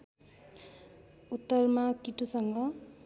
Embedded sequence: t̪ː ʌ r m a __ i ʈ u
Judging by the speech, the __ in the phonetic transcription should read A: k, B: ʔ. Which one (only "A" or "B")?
A